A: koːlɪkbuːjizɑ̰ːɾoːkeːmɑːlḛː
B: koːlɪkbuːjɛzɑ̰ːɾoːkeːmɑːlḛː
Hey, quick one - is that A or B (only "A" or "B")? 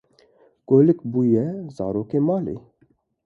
B